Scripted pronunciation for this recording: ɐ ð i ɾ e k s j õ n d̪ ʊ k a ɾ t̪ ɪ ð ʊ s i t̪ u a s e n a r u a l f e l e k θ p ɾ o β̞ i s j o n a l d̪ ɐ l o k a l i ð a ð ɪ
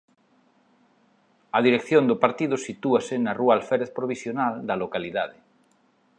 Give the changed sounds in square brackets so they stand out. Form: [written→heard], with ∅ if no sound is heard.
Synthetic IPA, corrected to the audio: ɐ ð i ɾ e k [s→θ] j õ n d̪ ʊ [k→p] a ɾ t̪ [ɪ→i] ð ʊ s i t̪ u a s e n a r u a l f e [l→ɾ] e [k→∅] θ p ɾ o β̞ i s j o n a l d̪ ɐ l o k a l i ð a ð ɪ